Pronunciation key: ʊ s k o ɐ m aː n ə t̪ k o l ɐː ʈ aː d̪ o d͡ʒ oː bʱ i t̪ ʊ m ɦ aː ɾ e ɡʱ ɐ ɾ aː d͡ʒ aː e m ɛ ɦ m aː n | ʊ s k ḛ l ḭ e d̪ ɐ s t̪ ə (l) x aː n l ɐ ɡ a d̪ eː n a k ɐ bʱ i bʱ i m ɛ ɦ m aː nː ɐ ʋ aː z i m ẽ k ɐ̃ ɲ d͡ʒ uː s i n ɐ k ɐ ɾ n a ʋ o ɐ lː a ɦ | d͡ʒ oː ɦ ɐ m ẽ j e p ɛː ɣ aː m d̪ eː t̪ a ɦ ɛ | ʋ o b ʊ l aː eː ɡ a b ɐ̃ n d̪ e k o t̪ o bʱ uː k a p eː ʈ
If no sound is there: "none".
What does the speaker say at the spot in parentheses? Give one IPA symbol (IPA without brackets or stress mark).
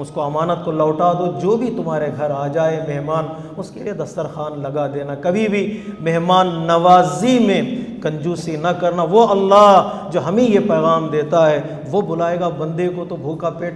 ɾ